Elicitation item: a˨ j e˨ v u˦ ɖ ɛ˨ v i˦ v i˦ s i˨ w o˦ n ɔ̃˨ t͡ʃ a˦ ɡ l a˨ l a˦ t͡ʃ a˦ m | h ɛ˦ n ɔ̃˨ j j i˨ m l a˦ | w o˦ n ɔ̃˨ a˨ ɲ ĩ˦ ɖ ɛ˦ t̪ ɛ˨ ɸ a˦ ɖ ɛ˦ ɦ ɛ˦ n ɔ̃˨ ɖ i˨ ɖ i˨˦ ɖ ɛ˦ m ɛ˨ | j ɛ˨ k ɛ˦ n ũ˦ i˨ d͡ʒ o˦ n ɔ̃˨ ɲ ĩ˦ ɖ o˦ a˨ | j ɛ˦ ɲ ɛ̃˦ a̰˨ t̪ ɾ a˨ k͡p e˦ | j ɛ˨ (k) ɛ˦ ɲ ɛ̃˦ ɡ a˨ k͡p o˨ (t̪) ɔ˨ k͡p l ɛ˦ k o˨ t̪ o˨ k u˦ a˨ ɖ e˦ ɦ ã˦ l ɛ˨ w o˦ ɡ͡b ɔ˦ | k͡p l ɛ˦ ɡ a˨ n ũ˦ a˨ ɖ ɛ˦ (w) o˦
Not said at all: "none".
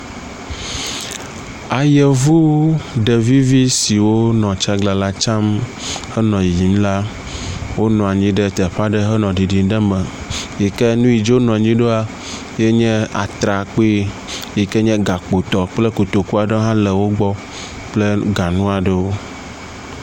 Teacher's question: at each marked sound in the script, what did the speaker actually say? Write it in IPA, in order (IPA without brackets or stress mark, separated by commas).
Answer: k, t̪, w